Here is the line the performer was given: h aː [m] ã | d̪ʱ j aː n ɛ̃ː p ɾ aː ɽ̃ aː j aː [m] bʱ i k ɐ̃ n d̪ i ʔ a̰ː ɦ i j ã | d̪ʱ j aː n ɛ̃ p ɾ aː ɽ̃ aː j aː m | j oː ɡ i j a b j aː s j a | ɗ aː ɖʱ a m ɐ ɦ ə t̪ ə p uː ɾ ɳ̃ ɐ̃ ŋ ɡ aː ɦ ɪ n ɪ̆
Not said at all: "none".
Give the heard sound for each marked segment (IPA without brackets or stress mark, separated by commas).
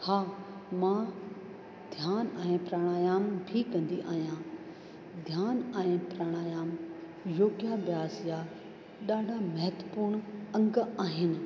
m, m